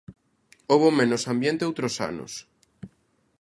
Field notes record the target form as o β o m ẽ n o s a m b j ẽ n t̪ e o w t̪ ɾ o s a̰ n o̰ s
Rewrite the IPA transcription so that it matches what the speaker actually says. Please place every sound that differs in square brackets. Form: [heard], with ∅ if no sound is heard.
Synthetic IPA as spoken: o β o m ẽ n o s a m b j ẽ n t̪ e o w t̪ ɾ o s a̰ n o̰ s